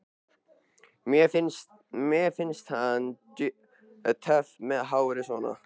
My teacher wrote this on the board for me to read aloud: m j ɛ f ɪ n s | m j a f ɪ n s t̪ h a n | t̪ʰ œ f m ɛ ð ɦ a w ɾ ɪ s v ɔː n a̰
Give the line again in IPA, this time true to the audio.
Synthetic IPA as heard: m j ɛ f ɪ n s | m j ɛ f ɪ n s t̪ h a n | t̪ʰ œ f m ɛ ð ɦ a w ɾ ɪ s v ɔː n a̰